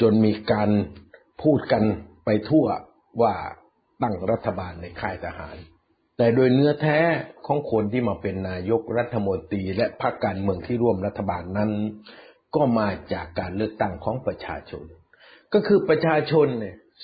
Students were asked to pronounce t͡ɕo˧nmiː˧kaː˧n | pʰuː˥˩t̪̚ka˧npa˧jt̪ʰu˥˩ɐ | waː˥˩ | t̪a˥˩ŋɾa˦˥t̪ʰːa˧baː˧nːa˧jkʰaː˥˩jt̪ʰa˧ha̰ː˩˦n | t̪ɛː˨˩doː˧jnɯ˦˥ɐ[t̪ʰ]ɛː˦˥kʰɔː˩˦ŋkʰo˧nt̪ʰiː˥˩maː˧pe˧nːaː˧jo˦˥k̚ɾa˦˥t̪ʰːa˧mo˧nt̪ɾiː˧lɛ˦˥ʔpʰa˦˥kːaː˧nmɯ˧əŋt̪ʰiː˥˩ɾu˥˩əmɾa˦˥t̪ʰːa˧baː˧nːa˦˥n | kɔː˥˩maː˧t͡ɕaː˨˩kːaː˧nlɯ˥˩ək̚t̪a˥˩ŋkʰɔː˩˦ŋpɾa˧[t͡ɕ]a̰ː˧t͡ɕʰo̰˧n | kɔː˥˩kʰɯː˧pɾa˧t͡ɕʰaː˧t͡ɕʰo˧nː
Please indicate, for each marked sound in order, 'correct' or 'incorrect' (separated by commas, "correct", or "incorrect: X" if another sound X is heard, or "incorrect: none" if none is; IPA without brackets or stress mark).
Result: correct, incorrect: t͡ɕʰ